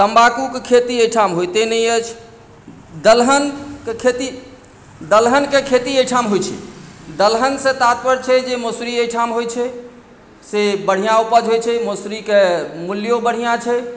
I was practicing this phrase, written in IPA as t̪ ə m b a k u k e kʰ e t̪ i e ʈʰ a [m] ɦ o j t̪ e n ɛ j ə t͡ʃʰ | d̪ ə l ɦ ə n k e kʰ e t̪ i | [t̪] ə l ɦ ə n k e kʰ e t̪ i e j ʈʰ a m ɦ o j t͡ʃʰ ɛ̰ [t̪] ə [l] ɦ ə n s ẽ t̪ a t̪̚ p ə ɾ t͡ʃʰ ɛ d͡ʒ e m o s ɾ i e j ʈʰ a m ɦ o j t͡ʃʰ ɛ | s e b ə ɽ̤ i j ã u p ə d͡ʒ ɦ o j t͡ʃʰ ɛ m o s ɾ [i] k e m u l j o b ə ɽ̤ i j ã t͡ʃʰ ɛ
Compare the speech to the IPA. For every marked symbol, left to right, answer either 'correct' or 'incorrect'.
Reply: correct, incorrect, incorrect, correct, correct

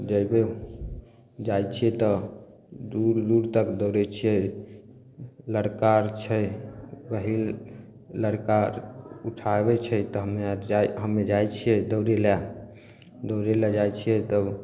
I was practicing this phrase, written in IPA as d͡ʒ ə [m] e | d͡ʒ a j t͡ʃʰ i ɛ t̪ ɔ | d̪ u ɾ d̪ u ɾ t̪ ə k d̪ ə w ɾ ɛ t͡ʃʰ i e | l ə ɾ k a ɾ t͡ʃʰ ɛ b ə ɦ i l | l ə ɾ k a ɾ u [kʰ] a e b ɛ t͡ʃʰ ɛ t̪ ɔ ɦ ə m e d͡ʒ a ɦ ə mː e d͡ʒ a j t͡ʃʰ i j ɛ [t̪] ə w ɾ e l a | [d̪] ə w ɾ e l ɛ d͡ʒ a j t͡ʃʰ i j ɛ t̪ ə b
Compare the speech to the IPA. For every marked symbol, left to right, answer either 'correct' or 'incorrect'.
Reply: incorrect, incorrect, incorrect, correct

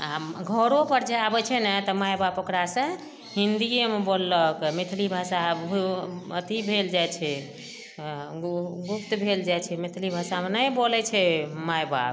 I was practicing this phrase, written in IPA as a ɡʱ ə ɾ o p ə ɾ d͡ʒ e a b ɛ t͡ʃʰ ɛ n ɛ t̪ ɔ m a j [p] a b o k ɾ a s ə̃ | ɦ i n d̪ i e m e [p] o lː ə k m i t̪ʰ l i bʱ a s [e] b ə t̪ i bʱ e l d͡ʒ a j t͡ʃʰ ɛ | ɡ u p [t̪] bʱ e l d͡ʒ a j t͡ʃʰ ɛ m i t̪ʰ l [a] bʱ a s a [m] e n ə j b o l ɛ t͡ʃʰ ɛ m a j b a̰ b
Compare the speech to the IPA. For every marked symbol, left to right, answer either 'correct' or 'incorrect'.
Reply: incorrect, incorrect, incorrect, correct, incorrect, correct

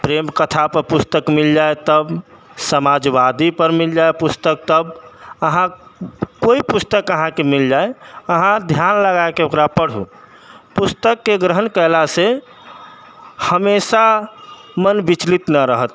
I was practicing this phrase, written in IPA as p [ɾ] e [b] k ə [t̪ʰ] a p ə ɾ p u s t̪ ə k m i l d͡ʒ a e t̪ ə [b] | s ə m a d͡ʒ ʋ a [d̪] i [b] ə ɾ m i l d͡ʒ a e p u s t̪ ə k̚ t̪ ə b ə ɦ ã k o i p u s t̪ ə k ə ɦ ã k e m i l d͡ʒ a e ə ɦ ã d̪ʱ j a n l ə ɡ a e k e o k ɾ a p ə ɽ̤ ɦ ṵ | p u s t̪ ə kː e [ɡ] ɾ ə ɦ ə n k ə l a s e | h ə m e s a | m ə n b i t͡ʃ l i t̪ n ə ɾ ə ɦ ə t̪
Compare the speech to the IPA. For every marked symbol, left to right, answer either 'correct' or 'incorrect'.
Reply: correct, incorrect, correct, correct, correct, incorrect, correct

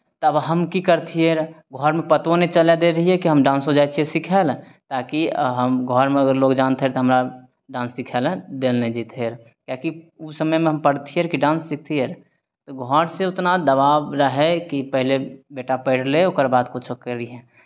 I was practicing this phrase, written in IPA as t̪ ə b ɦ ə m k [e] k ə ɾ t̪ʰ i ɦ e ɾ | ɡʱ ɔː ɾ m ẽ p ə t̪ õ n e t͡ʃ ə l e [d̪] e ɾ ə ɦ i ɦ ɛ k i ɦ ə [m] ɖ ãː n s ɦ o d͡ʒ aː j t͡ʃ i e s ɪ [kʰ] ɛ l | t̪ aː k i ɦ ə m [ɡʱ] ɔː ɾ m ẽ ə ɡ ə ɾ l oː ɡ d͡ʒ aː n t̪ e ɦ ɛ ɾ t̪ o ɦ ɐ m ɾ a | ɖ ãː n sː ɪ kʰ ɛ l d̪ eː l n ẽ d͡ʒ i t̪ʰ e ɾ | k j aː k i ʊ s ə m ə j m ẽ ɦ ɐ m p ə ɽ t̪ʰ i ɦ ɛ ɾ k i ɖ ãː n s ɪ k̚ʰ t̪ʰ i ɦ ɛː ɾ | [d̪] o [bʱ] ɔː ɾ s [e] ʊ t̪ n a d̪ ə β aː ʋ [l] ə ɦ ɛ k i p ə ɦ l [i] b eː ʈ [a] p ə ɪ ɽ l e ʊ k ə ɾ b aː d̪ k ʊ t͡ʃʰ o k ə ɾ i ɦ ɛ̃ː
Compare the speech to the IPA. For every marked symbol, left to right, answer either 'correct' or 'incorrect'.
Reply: incorrect, correct, correct, correct, correct, incorrect, incorrect, correct, incorrect, incorrect, correct

